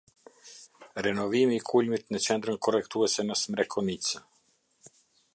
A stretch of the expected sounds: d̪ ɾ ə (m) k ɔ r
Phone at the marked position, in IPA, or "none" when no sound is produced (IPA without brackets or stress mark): n